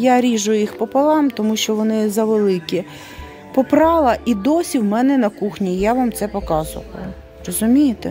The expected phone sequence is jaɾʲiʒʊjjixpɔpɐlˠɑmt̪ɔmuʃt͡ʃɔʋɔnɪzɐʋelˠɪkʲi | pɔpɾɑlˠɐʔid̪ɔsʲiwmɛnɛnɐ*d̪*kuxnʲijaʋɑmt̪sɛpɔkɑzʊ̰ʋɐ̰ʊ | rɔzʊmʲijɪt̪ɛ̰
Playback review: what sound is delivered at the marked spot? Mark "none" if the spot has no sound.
none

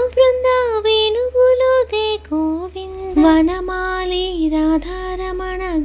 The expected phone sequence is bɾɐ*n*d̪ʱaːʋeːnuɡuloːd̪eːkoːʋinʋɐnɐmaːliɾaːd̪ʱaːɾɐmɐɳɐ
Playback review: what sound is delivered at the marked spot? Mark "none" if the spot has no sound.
n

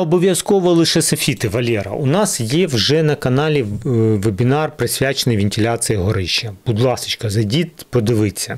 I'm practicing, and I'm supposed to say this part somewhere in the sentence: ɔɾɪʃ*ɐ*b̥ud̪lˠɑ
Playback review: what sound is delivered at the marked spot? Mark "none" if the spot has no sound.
ɐ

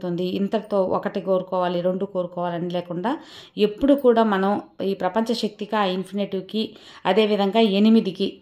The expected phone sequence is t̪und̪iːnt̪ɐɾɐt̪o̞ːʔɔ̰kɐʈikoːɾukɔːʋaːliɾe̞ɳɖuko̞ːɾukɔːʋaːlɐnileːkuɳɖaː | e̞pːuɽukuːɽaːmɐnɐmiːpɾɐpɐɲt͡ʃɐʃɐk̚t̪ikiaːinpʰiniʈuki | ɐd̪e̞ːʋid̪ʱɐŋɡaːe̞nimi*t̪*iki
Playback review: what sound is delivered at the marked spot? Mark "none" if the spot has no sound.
d̪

